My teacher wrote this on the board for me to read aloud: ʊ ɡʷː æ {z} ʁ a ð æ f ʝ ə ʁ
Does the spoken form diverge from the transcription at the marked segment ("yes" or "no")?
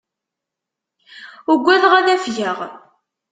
yes